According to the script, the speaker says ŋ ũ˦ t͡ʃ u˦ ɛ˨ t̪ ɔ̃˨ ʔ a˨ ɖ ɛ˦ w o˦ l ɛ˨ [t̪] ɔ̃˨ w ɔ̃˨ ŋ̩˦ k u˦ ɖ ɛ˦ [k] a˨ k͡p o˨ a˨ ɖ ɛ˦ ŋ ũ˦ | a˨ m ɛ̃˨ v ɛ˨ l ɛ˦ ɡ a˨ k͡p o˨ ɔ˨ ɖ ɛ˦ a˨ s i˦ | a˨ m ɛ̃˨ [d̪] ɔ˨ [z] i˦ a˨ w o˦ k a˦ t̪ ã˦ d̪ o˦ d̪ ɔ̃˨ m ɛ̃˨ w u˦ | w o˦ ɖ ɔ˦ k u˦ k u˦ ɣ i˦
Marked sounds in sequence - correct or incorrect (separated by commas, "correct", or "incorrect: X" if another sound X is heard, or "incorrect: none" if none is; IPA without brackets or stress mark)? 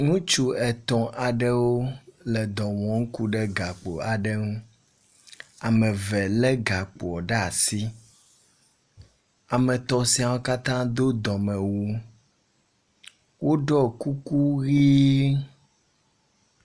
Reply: incorrect: d̪, incorrect: ɡ, incorrect: t̪, incorrect: s